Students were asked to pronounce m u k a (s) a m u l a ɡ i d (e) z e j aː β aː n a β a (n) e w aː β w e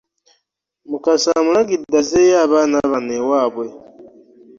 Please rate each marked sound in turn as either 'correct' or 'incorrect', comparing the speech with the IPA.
correct, incorrect: a, correct

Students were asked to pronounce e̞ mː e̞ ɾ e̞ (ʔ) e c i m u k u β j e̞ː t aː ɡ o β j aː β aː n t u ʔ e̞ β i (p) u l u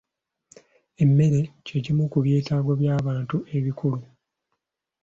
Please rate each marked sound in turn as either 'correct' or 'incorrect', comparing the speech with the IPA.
incorrect: c, incorrect: k

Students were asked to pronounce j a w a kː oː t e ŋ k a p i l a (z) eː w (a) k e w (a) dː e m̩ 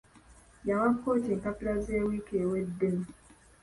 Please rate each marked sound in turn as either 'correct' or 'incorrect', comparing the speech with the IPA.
correct, incorrect: i, incorrect: e

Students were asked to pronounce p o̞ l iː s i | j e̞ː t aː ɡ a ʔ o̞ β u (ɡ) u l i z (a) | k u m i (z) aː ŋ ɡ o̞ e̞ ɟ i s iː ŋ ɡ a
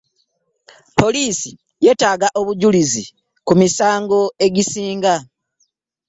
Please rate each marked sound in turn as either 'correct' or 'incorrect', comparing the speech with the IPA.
incorrect: ɟ, incorrect: i, incorrect: s

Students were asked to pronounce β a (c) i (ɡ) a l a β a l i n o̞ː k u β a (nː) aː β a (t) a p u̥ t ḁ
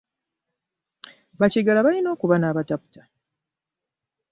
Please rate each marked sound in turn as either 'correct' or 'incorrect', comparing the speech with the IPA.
correct, correct, incorrect: n, correct

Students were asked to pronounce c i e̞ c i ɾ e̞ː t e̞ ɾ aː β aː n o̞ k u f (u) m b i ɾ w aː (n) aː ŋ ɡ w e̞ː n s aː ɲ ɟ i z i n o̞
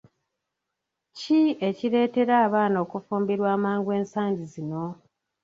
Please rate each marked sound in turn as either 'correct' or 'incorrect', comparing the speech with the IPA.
incorrect: uː, incorrect: m

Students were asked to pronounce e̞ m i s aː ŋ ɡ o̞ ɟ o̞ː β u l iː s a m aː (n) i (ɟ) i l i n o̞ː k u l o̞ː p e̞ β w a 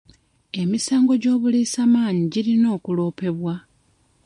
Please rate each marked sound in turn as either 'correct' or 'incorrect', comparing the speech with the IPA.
incorrect: ɲ, correct

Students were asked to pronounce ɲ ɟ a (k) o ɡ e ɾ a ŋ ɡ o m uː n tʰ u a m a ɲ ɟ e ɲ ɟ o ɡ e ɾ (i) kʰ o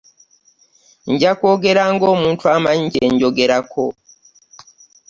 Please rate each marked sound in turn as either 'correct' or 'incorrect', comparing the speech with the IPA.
correct, incorrect: a

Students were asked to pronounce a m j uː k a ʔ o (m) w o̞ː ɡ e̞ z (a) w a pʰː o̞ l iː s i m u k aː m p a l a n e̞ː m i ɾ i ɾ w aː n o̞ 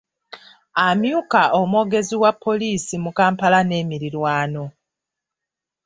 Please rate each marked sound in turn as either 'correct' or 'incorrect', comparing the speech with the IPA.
correct, incorrect: i

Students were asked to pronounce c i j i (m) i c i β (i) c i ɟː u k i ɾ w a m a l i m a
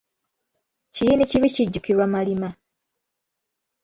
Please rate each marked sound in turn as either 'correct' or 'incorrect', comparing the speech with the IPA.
incorrect: n, correct

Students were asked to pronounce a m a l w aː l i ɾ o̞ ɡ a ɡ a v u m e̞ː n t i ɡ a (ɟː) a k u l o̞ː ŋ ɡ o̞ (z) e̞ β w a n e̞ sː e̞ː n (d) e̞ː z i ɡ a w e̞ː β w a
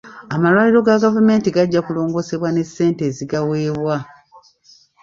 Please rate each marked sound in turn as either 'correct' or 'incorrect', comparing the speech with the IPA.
correct, incorrect: s, incorrect: t

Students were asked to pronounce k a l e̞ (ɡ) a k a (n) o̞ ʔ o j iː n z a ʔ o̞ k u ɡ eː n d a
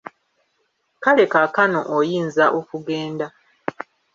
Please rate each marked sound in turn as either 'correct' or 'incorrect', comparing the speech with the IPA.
incorrect: k, correct

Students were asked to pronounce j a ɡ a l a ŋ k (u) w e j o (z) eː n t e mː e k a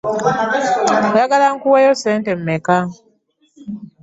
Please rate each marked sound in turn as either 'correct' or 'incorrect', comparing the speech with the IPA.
correct, incorrect: s

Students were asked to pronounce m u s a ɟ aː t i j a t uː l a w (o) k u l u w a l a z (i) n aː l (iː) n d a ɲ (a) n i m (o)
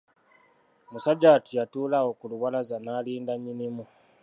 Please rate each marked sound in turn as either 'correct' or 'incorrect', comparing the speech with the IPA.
correct, incorrect: a, correct, incorrect: i, incorrect: u

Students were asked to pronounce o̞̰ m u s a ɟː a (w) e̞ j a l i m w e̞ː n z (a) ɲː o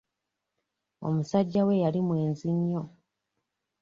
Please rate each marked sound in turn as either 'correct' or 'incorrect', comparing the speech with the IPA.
correct, incorrect: i

